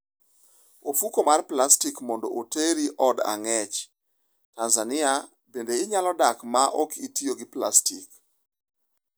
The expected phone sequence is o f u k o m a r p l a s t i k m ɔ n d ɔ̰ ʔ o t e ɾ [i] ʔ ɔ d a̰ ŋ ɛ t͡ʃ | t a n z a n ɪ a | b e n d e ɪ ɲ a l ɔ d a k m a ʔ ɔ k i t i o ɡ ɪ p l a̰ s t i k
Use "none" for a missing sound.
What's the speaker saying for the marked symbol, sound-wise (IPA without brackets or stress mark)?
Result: i